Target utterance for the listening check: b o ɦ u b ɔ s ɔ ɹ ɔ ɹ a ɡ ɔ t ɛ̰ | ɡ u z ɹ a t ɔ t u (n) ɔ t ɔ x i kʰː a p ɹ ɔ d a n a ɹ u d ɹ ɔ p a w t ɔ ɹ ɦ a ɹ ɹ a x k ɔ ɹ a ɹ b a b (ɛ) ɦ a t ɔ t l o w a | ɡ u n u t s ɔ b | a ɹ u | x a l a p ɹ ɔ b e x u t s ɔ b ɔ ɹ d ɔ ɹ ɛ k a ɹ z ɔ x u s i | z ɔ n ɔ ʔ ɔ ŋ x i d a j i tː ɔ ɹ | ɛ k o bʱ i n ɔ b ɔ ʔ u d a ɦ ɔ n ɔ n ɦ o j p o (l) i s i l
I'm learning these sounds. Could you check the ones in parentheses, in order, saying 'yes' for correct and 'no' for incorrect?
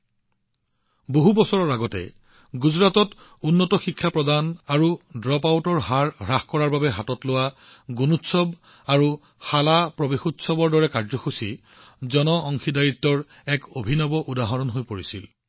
no, yes, no

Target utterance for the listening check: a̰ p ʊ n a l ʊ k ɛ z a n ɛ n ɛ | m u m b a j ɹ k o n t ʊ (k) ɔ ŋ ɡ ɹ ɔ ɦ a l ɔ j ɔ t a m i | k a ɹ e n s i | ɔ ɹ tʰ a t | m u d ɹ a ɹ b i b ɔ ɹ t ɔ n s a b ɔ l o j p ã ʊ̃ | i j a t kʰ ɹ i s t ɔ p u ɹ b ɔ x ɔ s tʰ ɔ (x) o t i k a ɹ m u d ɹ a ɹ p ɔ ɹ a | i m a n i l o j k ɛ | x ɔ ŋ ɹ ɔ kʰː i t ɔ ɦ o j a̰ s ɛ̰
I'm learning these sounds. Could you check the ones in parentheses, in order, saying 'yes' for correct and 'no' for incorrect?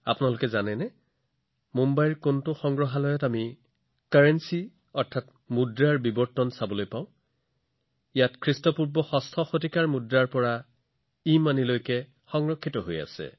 no, yes

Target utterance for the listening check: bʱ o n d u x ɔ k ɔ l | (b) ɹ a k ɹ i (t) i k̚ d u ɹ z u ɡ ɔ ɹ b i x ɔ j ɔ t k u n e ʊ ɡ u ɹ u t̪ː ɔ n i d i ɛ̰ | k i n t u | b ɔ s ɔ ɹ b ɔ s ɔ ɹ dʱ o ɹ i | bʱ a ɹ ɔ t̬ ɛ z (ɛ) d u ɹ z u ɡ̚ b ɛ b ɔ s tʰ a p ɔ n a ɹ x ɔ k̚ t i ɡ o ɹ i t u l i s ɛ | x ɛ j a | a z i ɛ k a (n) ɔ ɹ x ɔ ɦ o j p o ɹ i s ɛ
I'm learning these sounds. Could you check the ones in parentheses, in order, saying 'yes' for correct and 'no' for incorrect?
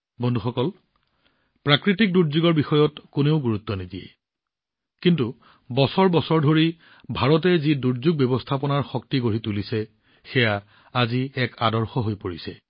no, yes, no, no

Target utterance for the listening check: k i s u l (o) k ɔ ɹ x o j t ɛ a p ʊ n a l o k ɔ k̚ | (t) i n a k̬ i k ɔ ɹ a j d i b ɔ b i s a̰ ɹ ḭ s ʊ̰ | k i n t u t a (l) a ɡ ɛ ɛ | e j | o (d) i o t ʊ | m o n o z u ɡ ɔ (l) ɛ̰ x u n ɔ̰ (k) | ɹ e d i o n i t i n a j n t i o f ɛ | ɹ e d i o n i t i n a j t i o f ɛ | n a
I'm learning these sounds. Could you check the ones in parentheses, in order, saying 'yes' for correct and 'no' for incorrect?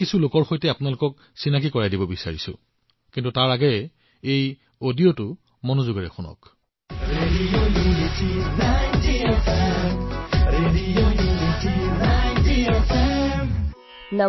yes, no, no, yes, no, yes

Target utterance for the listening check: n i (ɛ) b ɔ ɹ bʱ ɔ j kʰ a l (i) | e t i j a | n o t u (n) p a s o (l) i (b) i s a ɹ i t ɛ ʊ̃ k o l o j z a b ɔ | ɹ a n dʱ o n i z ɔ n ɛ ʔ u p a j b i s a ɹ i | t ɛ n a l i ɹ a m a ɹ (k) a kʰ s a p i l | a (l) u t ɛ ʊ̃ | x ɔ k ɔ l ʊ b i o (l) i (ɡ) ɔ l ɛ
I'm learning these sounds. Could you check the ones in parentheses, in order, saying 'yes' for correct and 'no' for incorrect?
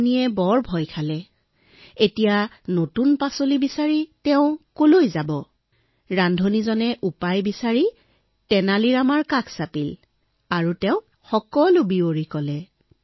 yes, no, yes, yes, yes, yes, no, no, no

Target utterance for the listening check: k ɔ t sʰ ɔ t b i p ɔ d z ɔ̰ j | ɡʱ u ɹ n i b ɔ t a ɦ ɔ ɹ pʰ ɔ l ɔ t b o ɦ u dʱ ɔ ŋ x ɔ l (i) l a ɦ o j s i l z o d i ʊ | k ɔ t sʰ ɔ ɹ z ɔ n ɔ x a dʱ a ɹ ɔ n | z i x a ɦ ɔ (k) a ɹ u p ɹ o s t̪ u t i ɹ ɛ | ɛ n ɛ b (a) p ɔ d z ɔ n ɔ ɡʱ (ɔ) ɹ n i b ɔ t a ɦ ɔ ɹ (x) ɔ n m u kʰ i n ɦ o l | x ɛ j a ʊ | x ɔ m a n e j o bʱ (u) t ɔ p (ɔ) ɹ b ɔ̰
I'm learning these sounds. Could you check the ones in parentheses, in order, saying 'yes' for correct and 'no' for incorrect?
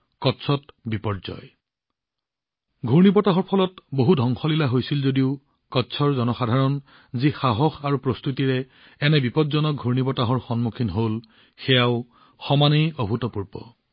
yes, no, no, no, yes, yes, no

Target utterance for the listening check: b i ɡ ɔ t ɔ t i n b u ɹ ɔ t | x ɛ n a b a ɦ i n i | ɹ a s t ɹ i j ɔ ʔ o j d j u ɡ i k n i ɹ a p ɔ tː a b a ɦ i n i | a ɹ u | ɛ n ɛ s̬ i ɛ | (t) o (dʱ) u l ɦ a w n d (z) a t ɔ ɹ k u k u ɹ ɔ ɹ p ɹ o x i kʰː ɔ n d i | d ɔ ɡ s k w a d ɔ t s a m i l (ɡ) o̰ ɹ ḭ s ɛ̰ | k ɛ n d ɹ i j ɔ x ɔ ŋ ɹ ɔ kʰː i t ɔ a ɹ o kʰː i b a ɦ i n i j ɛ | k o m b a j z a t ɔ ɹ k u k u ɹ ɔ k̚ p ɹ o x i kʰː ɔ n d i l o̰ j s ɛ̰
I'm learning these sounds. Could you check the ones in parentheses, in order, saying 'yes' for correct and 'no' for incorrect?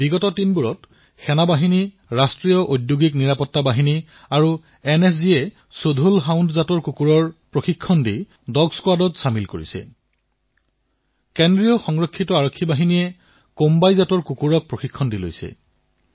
no, yes, yes, no

